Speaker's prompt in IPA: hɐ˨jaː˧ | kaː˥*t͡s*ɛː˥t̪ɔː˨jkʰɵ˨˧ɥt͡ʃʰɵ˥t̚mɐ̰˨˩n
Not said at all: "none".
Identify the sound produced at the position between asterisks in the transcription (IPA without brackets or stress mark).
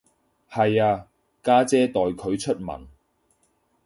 t͡s